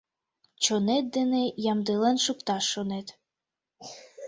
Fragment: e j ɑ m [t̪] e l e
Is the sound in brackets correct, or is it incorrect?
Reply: incorrect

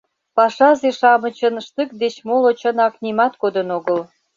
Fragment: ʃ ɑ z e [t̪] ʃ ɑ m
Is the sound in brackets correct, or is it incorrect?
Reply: incorrect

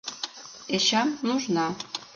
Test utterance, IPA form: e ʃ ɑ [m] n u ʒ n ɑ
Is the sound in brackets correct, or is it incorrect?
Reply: correct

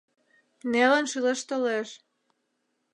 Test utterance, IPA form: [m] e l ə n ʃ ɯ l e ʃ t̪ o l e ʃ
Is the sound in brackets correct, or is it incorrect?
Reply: incorrect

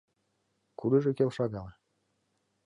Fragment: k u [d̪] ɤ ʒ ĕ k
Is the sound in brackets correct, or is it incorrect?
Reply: correct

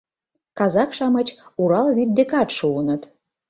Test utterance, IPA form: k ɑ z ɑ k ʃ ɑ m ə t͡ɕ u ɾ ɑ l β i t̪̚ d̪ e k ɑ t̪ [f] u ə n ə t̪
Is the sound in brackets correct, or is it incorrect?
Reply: incorrect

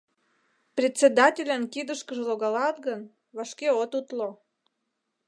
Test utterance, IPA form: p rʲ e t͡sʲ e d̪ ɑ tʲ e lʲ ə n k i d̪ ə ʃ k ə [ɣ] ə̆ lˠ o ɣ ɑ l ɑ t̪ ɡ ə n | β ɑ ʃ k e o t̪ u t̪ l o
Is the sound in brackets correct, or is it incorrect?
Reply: incorrect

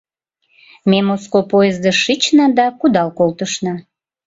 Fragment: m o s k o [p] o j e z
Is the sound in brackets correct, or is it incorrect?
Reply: correct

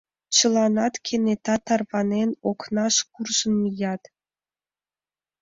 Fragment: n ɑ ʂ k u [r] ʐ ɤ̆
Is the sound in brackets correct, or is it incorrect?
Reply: correct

